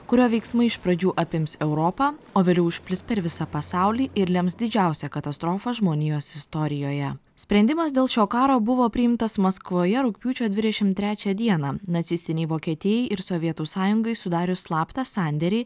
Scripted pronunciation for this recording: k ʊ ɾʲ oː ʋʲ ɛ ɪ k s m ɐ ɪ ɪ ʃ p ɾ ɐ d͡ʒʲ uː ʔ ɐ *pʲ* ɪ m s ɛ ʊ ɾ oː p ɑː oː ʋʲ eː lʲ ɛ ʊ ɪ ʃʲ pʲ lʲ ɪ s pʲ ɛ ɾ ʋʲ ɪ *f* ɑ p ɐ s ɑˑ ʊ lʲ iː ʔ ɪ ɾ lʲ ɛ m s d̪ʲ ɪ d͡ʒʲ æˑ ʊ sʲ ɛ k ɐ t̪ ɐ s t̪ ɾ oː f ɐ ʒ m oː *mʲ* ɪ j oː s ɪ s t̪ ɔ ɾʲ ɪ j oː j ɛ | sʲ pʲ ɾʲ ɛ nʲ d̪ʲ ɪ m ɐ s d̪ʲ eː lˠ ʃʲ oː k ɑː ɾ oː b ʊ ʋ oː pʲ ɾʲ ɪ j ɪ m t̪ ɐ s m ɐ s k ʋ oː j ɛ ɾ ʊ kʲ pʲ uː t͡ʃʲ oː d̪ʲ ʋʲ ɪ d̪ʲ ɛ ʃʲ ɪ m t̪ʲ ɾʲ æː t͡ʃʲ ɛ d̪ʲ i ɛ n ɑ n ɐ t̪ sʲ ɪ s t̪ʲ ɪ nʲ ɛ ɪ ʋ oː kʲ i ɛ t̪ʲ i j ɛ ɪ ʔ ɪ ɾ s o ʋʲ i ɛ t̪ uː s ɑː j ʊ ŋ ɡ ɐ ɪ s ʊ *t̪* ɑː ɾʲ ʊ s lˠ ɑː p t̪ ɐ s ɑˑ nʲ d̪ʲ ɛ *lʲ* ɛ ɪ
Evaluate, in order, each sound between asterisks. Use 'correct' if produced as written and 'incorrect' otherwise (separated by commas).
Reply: correct, incorrect, incorrect, incorrect, incorrect